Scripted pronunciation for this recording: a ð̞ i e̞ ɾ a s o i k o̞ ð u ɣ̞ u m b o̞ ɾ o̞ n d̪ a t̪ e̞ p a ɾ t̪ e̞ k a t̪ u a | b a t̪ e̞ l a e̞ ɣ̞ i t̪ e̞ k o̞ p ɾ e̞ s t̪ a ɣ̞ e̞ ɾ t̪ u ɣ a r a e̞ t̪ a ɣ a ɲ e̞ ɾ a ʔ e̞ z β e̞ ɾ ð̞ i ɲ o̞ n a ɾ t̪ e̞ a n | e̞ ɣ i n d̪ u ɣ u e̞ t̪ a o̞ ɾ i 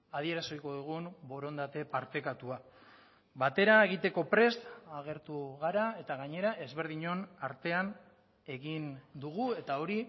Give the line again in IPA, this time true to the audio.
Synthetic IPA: a ð̞ i e̞ ɾ a s o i k o̞ ð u ɣ̞ u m b o̞ ɾ o̞ n d̪ a t̪ e̞ p a ɾ t̪ e̞ k a t̪ u a | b a t̪ e̞ ɾ a e̞ ɣ̞ i t̪ e̞ k o̞ p ɾ e̞ s t̪ a ɣ̞ e̞ ɾ t̪ u ɣ a ɾ a e̞ t̪ a ɣ a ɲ e̞ ɾ a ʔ e̞ z β e̞ ɾ ð̞ i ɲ o̞ n a ɾ t̪ e̞ a n | e̞ ɣ i n d̪ u ɣ u e̞ t̪ a o̞ ɾ i